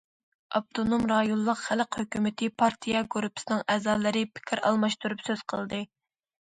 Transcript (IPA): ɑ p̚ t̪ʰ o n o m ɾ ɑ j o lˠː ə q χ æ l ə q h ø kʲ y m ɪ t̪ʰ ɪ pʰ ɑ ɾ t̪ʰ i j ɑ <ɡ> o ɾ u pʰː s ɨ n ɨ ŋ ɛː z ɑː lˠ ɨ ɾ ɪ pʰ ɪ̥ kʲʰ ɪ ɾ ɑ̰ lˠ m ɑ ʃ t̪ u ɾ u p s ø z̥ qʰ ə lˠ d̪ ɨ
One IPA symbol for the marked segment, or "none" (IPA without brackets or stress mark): ɡ